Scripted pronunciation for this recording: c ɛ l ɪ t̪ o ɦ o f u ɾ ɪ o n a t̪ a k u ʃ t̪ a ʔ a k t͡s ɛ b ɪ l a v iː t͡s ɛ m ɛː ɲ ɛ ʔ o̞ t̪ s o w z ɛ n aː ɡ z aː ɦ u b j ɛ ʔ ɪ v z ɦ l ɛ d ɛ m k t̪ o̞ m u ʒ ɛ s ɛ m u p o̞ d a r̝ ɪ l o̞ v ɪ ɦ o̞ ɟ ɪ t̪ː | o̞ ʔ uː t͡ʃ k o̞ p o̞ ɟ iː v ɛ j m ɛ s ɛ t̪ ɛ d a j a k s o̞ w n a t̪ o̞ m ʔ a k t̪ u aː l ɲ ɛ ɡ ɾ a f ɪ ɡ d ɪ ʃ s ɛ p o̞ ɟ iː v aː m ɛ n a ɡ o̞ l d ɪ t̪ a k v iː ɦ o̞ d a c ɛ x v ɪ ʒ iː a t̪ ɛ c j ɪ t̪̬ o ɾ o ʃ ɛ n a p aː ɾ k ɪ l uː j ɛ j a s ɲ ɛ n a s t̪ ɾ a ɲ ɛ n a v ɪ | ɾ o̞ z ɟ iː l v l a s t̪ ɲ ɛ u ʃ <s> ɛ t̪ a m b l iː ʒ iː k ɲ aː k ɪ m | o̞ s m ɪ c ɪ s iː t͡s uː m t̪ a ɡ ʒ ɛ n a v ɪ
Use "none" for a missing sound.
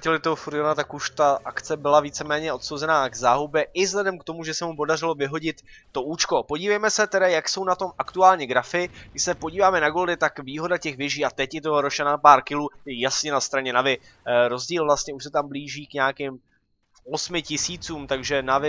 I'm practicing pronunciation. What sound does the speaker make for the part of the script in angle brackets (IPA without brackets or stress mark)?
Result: s